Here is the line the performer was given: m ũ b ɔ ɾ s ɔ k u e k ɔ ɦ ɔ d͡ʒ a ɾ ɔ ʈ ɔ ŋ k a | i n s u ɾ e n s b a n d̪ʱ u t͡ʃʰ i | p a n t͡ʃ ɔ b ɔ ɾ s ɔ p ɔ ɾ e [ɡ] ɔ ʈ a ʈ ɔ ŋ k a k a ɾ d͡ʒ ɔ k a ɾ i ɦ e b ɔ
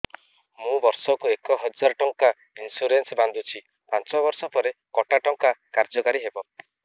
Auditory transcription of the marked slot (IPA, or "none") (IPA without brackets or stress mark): k